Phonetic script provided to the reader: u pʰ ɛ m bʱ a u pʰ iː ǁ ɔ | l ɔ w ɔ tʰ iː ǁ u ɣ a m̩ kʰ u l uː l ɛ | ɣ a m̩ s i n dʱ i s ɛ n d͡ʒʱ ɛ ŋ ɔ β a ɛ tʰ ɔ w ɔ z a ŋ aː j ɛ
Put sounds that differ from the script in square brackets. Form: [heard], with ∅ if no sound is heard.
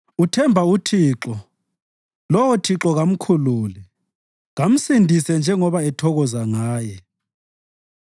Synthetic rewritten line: u [tʰ] ɛ m bʱ a u [tʰ] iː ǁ ɔ | l ɔ w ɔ tʰ [i] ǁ [ɔ] ɣ a m̩ kʰ u l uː l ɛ | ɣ a m̩ s i n dʱ i s ɛ n d͡ʒʱ ɛ ŋ ɔ β a ɛ tʰ ɔ [ɣ] ɔ z a ŋ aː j ɛ